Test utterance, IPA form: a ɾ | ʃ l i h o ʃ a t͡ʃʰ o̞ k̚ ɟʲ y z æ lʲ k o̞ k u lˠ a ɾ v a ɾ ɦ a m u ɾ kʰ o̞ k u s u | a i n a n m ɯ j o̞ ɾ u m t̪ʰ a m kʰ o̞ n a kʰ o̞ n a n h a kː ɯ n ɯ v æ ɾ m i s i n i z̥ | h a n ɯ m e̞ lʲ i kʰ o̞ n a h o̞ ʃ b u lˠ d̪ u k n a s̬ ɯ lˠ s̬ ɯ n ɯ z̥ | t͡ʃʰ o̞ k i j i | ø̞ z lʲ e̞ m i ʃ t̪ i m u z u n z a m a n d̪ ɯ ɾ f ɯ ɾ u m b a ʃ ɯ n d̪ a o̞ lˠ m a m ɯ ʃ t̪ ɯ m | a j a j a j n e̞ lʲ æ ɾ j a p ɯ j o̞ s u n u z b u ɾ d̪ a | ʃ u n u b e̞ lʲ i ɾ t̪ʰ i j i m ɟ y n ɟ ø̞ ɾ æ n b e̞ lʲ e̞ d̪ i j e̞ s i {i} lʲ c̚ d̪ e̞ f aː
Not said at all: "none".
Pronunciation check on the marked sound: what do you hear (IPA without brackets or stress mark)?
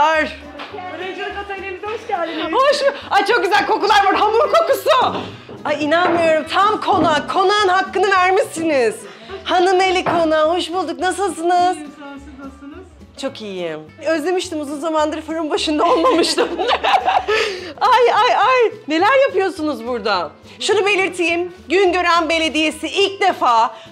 i